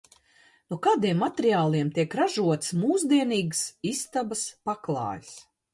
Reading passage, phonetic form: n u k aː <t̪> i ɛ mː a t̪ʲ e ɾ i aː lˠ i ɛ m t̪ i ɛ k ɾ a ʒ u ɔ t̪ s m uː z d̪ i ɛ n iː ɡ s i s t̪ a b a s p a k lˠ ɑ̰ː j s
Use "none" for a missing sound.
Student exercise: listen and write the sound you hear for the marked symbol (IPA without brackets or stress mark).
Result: d̪